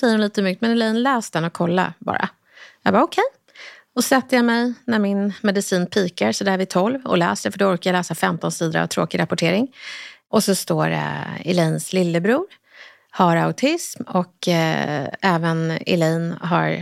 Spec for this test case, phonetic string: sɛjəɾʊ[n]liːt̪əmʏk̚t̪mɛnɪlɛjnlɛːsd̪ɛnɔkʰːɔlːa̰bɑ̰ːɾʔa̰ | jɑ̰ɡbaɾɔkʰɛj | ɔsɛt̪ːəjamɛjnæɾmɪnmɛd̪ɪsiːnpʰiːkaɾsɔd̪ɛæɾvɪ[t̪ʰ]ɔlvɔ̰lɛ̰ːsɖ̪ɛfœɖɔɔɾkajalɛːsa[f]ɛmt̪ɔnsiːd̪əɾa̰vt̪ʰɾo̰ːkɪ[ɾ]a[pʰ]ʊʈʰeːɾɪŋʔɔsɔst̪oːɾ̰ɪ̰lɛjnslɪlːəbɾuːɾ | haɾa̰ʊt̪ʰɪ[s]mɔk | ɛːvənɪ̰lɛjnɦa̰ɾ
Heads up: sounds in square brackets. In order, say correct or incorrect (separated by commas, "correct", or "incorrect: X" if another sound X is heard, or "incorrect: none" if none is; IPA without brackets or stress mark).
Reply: correct, correct, correct, correct, incorrect: p, correct